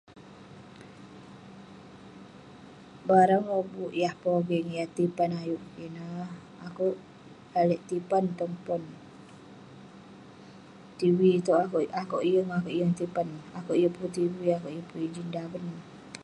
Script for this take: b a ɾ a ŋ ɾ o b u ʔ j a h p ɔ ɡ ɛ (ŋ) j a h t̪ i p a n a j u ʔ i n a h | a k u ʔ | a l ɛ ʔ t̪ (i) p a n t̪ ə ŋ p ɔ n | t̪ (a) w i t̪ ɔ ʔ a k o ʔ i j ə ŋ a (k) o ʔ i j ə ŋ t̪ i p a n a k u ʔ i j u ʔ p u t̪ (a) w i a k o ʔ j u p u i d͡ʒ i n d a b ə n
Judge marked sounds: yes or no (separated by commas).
yes, yes, no, yes, no